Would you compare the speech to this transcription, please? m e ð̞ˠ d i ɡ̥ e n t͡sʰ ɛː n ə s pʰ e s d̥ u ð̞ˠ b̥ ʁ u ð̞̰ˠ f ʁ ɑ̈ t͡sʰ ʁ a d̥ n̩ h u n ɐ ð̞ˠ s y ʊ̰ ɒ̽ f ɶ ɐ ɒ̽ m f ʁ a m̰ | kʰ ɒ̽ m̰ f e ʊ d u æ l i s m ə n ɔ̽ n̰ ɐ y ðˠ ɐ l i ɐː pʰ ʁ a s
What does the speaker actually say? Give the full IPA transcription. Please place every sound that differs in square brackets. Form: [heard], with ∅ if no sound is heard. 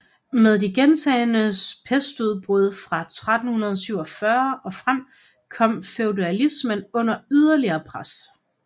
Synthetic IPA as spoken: m e ð̞ˠ d i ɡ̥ e n t͡sʰ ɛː n ə s pʰ e s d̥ u ð̞ˠ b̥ ʁ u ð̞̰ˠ f ʁ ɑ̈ t͡sʰ ʁ a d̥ n̩ h u n ɐ ð̞ˠ s y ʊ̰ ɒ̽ f ɶ ɐ ɒ̽ [∅] f ʁ a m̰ | kʰ ɒ̽ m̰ f e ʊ d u æ l i s m ə n ɔ̽ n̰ ɐ y ðˠ ɐ l i ɐː pʰ ʁ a s